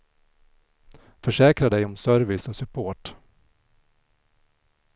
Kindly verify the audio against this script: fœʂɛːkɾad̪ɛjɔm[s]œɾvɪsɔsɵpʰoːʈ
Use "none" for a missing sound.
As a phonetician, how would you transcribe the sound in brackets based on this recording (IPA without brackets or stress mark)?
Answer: s